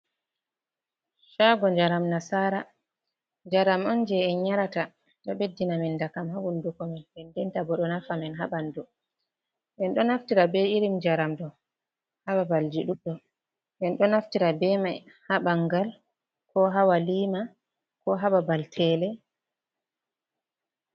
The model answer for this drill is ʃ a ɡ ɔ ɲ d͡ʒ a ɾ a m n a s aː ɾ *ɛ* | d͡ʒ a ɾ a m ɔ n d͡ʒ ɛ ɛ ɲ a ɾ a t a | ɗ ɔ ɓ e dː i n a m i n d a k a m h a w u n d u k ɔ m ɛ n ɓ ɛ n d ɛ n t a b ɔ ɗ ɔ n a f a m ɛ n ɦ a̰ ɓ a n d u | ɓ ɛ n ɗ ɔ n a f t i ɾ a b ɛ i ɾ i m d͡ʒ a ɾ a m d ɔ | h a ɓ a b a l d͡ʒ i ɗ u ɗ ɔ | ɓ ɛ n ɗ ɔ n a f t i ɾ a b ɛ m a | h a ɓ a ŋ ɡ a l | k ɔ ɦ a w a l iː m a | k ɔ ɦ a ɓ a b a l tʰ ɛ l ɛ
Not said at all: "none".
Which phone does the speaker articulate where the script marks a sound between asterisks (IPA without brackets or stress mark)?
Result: a